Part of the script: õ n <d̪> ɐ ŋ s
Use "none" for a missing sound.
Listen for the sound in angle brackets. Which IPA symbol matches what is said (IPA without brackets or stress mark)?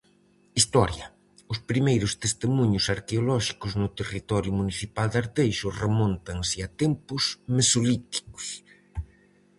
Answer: t̪